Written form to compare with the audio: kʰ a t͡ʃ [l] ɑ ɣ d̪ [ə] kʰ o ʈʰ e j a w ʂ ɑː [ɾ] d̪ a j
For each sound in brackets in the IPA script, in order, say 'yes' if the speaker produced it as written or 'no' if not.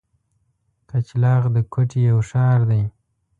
yes, yes, yes

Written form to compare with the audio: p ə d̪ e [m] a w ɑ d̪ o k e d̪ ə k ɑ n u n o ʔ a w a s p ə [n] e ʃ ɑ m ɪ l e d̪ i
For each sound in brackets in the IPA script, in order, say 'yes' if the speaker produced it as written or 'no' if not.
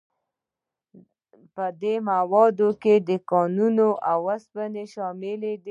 yes, yes

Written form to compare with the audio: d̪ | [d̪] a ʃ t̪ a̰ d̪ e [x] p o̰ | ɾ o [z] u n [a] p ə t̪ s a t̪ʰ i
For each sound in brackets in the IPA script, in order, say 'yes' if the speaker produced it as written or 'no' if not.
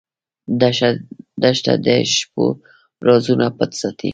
yes, no, yes, yes

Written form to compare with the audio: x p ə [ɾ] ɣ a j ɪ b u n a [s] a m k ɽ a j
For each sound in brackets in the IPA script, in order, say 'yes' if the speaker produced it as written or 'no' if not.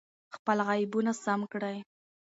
no, yes

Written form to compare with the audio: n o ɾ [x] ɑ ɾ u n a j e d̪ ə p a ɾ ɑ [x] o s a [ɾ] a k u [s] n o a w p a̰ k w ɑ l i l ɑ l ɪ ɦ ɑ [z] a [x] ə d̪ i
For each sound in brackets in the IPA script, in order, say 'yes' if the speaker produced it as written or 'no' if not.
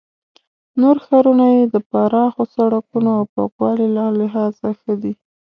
yes, yes, no, no, yes, yes

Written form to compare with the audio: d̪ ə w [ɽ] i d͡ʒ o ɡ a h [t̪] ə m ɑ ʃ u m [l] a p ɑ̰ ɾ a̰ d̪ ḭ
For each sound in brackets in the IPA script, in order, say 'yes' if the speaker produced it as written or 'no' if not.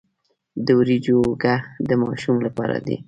no, no, yes

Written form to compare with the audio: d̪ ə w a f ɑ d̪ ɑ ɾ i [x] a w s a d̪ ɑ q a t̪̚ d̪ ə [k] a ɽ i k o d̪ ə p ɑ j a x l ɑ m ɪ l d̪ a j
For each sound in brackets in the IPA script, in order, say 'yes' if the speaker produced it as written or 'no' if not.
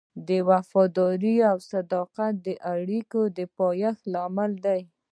no, no

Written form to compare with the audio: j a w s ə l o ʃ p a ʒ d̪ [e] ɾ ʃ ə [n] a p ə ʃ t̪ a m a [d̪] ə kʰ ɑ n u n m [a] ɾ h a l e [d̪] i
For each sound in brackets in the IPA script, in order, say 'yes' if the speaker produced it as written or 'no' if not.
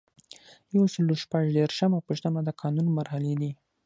yes, no, yes, yes, yes

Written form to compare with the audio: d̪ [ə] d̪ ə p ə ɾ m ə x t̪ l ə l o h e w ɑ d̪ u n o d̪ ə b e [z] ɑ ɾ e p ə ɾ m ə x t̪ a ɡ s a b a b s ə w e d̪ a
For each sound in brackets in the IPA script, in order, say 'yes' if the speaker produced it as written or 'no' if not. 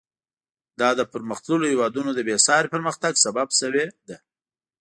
no, no

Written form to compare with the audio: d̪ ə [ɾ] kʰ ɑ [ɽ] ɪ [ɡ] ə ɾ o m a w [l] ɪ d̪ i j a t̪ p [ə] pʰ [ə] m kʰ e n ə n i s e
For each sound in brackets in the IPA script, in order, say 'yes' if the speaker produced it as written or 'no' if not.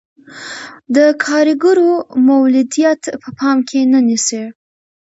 no, no, yes, yes, yes, no

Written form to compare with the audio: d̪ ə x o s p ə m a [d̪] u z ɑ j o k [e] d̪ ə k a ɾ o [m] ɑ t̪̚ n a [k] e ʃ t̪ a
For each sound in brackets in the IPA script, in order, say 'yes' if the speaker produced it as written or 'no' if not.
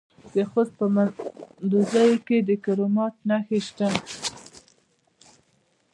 yes, yes, yes, no

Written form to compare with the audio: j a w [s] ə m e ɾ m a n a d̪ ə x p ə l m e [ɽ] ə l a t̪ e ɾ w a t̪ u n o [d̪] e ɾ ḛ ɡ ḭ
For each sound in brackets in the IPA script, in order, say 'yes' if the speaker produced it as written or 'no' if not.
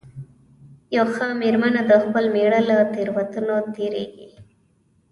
no, yes, no

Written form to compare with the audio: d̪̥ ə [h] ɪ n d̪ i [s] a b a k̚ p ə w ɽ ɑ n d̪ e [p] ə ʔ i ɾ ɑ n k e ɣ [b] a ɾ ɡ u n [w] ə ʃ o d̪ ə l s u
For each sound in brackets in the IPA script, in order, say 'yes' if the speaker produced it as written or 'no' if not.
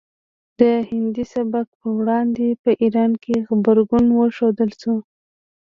yes, yes, yes, yes, yes

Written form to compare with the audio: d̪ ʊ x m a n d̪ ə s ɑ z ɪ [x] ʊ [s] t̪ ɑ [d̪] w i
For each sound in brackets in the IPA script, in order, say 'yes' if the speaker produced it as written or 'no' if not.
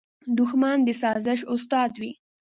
no, yes, yes

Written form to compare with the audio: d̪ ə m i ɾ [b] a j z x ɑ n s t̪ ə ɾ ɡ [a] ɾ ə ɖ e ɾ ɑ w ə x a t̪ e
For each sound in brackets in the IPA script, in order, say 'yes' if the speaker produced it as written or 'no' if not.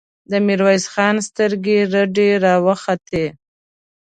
no, no

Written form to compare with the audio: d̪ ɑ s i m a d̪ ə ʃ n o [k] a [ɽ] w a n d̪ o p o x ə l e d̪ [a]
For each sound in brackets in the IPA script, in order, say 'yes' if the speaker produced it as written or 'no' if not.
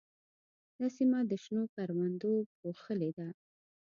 yes, no, yes

